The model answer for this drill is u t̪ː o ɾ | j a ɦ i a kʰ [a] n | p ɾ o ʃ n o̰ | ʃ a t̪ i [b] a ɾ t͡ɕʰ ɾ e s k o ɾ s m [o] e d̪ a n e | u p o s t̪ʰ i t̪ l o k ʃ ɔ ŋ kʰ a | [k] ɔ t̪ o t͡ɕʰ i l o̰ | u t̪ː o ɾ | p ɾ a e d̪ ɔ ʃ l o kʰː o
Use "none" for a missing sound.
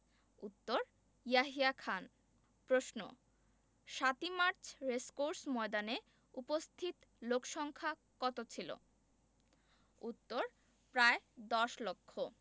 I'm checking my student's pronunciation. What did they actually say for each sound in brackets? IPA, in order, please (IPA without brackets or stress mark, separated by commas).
a, m, ɔ, k